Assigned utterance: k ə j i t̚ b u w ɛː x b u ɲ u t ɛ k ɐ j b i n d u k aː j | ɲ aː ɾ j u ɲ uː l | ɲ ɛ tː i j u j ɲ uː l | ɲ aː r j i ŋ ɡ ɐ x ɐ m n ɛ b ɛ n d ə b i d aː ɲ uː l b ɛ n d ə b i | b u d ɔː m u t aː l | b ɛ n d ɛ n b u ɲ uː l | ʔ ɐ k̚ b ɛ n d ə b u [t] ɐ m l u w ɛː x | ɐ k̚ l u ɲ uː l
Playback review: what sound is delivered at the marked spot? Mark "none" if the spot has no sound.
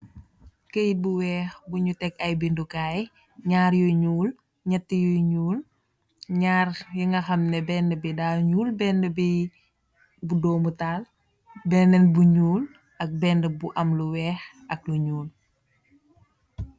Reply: ʔ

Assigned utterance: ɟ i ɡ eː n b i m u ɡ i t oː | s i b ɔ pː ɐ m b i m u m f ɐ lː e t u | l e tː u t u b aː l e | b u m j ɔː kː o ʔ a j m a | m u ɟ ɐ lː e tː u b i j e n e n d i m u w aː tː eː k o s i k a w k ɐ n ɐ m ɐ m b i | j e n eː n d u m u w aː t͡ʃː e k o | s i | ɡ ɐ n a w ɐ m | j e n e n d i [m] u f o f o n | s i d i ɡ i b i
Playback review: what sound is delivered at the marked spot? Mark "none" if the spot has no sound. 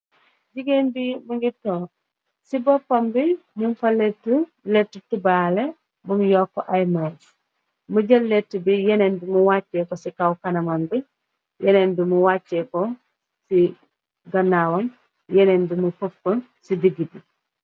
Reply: m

